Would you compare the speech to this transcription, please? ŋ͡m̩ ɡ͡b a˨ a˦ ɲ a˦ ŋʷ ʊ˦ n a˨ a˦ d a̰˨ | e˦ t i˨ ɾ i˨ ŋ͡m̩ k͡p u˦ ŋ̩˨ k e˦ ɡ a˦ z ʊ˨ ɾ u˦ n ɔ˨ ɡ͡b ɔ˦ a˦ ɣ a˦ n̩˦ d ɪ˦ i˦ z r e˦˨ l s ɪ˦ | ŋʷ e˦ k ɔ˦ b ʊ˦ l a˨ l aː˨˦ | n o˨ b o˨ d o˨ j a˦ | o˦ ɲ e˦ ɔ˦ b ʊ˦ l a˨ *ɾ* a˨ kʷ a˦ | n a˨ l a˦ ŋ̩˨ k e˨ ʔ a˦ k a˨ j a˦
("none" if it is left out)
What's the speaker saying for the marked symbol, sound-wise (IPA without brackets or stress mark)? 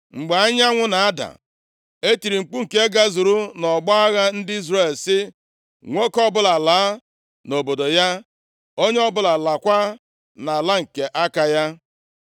l